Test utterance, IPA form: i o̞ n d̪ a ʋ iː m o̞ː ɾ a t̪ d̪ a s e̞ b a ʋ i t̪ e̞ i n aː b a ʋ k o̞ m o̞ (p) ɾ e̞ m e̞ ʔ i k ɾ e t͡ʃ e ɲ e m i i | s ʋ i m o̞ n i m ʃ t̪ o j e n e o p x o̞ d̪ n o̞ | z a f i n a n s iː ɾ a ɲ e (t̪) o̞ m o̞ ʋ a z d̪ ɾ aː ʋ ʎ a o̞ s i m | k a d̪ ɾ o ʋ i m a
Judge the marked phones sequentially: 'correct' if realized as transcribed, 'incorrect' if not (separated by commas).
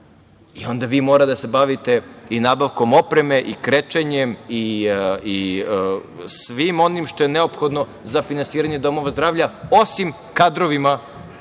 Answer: correct, incorrect